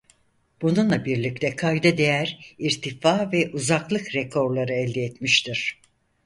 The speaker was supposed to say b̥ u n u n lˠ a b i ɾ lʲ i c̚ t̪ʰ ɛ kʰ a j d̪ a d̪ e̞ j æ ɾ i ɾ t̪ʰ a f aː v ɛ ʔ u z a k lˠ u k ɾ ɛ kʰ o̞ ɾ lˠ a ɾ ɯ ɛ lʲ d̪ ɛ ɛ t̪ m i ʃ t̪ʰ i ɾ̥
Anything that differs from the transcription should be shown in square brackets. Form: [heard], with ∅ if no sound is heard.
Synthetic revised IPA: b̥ u n u n lˠ a b i ɾ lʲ i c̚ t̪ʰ ɛ kʰ a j d̪ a d̪ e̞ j æ ɾ i ɾ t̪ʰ [i] f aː v ɛ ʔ u z a k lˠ [ɯ] k ɾ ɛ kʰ o̞ ɾ lˠ a ɾ ɯ ɛ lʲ d̪ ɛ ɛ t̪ m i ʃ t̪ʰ i ɾ̥